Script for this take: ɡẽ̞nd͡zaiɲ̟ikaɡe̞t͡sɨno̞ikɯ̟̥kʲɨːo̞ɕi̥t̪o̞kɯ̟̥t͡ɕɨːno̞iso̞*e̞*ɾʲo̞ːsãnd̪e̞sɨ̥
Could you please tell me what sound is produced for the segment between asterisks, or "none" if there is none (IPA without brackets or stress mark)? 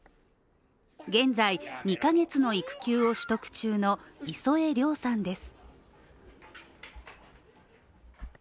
e̞